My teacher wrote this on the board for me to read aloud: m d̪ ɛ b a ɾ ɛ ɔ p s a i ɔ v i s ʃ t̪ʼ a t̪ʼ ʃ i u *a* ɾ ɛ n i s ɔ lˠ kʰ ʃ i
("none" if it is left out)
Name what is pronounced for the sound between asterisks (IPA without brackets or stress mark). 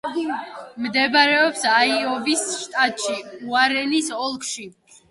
a